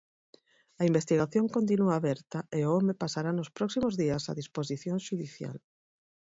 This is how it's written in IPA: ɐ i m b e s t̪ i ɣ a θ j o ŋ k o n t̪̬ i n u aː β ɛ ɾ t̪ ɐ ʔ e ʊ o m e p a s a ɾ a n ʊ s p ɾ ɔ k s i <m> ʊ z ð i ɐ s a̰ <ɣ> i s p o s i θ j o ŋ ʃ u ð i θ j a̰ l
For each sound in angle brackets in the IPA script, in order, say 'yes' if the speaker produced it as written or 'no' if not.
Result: yes, no

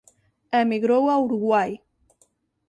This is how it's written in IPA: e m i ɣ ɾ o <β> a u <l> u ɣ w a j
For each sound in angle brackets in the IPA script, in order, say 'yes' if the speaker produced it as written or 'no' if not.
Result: no, no

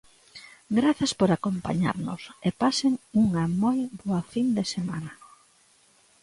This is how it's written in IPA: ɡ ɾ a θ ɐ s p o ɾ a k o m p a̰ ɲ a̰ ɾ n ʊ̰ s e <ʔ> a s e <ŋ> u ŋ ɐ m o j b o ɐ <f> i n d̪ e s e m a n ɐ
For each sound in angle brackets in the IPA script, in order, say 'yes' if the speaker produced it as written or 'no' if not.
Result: no, yes, yes

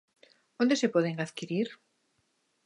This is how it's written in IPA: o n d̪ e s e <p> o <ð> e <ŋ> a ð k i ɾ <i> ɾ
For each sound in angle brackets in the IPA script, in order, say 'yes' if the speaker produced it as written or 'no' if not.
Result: yes, yes, yes, yes

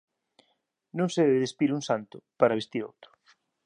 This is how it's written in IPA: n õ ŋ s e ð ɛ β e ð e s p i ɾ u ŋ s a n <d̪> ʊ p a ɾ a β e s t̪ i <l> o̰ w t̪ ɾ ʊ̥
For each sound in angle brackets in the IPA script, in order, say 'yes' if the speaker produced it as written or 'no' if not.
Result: no, no

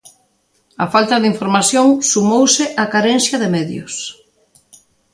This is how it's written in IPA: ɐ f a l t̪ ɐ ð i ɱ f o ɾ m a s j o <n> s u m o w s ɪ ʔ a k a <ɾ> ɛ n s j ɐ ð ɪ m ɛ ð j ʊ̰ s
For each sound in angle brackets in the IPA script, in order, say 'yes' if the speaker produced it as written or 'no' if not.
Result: no, yes

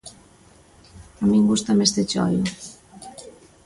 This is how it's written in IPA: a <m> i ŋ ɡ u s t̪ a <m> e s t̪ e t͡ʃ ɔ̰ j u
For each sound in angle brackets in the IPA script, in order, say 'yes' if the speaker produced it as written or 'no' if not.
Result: yes, yes

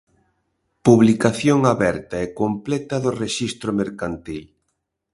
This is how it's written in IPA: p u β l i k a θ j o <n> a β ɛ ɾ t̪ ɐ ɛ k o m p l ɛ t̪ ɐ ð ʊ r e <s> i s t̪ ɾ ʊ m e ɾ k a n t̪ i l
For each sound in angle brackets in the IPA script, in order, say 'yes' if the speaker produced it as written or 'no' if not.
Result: no, no

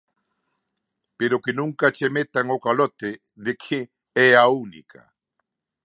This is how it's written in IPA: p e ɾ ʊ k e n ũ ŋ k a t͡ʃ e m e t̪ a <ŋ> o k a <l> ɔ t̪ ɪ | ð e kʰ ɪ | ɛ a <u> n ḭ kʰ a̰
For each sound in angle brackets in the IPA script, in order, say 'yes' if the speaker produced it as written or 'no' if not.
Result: yes, yes, yes

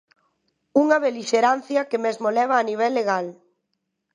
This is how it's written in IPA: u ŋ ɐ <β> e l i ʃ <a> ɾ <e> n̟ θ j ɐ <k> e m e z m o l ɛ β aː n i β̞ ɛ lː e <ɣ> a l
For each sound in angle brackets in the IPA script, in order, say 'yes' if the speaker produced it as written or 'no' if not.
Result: yes, no, no, yes, yes

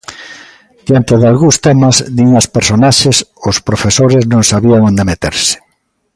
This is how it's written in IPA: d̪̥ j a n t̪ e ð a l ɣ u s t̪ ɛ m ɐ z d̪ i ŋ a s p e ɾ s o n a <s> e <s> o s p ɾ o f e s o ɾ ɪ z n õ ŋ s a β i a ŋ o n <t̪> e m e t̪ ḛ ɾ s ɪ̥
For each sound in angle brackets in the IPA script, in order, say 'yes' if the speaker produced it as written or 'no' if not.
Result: no, yes, no

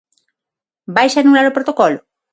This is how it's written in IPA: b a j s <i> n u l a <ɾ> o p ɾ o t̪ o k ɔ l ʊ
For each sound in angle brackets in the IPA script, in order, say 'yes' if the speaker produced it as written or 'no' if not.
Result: no, yes

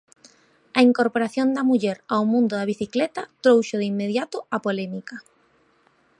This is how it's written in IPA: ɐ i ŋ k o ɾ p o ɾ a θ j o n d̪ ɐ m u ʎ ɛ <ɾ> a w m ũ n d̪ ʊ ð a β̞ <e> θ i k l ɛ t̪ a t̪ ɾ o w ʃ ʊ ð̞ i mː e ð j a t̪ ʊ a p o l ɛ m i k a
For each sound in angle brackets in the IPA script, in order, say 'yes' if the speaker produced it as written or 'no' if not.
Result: yes, no

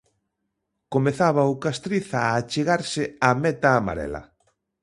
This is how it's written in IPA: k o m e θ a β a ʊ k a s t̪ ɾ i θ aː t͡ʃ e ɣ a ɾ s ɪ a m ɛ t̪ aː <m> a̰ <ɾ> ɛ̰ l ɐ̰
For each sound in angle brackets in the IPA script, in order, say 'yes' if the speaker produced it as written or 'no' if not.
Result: yes, yes

